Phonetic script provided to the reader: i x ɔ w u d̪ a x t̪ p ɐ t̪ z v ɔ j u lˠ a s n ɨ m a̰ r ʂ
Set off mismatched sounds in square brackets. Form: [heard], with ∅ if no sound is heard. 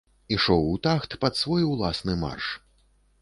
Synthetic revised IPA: i [ʂ] ɔ w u [t̪] a x t̪ p ɐ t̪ [s] v ɔ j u lˠ a s n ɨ m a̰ r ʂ